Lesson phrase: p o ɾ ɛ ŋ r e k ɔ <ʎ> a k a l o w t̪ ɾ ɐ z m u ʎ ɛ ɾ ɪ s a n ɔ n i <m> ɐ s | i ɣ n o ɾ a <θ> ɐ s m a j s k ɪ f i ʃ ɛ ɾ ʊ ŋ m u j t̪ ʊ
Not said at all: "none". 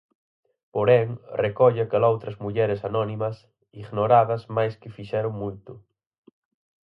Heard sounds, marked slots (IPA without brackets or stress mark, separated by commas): ʎ, m, ð